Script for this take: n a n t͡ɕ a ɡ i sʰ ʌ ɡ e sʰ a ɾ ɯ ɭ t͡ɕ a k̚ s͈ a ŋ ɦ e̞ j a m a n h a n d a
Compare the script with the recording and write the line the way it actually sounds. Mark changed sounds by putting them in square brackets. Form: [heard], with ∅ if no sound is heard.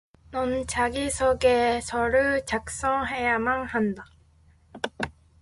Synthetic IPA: n [ʌ] n t͡ɕ a ɡ i sʰ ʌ ɡ e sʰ [ʌ] ɾ ɯ ɭ t͡ɕ a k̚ s͈ [ʌ] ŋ ɦ e̞ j a m a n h a n d a